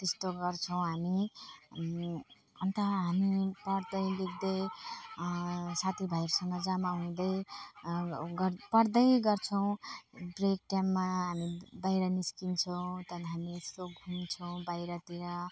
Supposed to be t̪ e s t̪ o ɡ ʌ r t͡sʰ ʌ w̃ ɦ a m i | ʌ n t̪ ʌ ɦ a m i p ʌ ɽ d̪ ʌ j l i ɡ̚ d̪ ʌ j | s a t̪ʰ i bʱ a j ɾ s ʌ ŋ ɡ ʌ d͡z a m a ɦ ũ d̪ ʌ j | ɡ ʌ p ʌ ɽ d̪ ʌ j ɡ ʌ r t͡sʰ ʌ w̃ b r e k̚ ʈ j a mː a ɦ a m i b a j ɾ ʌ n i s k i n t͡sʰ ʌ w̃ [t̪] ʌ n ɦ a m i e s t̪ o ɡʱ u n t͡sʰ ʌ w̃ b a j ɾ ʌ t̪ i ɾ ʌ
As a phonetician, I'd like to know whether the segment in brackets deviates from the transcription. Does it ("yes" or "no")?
no